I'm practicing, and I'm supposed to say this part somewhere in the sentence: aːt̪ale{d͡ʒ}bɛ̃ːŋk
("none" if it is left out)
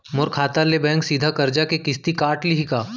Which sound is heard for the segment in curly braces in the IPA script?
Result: none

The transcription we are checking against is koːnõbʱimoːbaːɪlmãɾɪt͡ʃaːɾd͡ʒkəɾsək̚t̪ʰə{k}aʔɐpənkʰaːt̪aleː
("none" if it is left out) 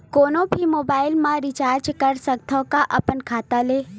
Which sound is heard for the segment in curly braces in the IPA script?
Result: k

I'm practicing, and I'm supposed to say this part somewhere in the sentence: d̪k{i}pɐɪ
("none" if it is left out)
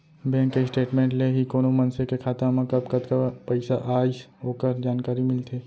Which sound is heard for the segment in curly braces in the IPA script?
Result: a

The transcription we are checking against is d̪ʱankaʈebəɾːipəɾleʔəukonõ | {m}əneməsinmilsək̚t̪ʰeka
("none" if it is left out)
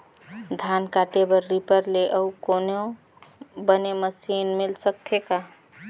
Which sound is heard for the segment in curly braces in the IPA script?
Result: b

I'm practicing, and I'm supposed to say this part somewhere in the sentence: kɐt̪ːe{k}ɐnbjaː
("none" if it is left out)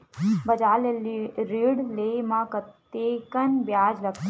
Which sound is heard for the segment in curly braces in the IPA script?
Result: k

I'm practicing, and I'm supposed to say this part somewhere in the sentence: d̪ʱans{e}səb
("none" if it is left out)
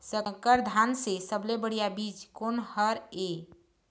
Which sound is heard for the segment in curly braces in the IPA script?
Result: e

